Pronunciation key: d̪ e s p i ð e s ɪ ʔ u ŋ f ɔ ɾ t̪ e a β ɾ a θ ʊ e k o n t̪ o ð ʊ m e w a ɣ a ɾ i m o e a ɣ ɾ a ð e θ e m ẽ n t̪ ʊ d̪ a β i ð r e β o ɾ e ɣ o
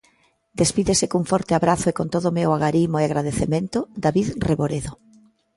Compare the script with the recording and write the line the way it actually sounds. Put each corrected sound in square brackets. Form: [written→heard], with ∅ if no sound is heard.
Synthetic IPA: d̪ e s p i ð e s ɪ [ʔ→k] u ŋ f ɔ ɾ t̪ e a β ɾ a θ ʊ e k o n t̪ o ð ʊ m e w a ɣ a ɾ i m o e a ɣ ɾ a ð e θ e m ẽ n t̪ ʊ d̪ a β i ð r e β o ɾ e [ɣ→ð] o